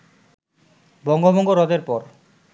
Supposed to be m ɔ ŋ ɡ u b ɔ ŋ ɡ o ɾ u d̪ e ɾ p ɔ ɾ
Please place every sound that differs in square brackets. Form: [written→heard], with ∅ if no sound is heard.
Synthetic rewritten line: [m→b] ɔ ŋ ɡ [u→o] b ɔ ŋ ɡ o ɾ [u→ɔ] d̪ e ɾ p ɔ ɾ